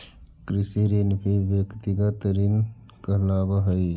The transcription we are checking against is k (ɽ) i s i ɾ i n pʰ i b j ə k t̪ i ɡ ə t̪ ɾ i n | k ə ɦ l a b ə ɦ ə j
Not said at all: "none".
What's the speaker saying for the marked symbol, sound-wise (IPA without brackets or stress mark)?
ɾ